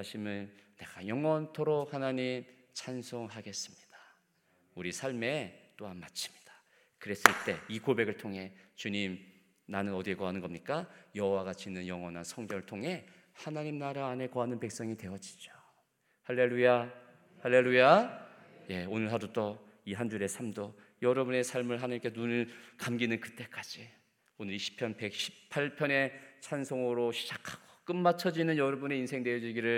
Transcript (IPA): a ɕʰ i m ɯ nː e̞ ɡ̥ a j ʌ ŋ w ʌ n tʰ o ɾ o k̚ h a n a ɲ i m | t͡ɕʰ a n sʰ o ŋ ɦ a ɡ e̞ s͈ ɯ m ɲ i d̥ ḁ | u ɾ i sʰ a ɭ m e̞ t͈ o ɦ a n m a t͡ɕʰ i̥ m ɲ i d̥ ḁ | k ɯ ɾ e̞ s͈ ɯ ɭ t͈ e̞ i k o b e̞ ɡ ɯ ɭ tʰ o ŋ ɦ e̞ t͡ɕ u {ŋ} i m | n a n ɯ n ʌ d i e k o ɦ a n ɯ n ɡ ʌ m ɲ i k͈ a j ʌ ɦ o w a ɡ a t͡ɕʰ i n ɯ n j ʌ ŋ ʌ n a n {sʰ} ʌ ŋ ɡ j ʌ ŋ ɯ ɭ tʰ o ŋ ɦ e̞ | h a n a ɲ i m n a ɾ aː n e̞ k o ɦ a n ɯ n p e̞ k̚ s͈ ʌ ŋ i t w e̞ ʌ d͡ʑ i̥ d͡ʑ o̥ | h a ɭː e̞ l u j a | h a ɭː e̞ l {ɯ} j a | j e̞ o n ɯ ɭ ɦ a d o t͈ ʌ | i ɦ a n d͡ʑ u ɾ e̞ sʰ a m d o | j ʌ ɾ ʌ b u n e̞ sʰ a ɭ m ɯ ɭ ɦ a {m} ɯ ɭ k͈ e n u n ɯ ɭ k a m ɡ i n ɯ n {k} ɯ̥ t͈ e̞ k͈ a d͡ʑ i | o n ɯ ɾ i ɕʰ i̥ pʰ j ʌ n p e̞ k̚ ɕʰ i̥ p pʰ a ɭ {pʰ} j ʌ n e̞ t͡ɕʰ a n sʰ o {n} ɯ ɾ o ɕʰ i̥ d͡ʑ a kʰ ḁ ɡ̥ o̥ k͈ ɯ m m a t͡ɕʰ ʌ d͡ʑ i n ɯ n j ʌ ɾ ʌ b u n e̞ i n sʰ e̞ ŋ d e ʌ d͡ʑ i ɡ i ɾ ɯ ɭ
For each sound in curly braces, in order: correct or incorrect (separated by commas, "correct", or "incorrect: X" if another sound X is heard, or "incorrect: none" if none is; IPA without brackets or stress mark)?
incorrect: ɲ, correct, incorrect: u, incorrect: n, correct, correct, incorrect: ŋ